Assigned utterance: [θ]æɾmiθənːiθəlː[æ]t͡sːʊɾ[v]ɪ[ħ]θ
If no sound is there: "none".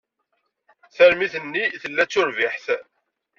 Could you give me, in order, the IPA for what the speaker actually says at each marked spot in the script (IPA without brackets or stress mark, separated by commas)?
θ, æ, v, ħ